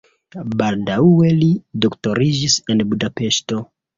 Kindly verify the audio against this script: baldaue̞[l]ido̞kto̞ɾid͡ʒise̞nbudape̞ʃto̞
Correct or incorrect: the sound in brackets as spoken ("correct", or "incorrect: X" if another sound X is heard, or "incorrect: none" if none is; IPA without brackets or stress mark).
correct